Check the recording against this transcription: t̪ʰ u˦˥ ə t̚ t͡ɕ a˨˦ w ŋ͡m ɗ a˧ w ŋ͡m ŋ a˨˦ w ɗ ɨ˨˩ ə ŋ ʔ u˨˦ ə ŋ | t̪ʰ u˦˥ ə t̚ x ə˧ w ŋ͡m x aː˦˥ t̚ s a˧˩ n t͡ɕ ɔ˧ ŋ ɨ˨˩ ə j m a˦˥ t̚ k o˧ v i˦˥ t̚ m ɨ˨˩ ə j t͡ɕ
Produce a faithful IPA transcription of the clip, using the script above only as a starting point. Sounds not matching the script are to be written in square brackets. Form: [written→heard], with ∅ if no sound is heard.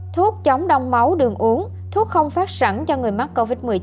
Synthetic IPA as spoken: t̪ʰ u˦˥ ə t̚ t͡ɕ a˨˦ w ŋ͡m ɗ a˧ w ŋ͡m [ŋ→m] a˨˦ w ɗ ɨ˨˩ ə ŋ ʔ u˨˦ ə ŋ | t̪ʰ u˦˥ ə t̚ x ə˧ w ŋ͡m [x→f] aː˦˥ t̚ s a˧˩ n t͡ɕ ɔ˧ ŋ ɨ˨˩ ə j m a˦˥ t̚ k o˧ v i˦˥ t̚ m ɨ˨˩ ə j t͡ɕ